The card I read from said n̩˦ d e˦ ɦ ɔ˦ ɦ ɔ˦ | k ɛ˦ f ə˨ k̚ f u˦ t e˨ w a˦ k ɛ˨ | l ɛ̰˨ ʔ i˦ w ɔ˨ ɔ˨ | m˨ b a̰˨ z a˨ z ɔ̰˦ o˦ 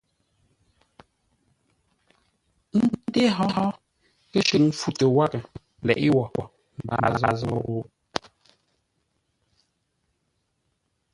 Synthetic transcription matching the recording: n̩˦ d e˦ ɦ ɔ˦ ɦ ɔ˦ | k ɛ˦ ʃ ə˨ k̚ f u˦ t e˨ w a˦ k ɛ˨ | l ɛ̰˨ ʔ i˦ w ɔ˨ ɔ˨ | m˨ b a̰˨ z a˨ z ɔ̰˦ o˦